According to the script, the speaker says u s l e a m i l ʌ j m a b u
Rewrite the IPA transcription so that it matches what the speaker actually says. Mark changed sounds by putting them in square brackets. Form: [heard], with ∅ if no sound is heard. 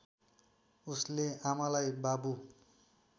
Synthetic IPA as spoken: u s l e a m [a] l [a] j [b] a b u